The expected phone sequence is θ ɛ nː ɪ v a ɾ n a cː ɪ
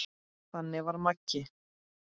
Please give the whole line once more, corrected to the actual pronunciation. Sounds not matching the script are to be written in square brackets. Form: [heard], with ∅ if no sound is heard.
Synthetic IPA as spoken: θ [a] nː ɪ v a ɾ [m] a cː ɪ